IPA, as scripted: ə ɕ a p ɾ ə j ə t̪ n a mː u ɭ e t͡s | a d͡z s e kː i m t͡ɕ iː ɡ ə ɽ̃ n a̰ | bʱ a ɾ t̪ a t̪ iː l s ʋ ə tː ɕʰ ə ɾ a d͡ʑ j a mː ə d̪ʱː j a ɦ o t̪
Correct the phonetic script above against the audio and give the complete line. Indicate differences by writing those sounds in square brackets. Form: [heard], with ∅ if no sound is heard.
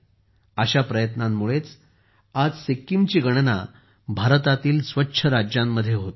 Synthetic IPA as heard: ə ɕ a p ɾ ə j ə t̪ n a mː u ɭ e t͡s | a d͡z s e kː i m t͡ɕ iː ɡ ə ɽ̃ n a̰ | bʱ a ɾ t̪ a t̪ iː l s ʋ ə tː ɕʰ ə ɾ a d͡ʑ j a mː ə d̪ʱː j [e] ɦ o t̪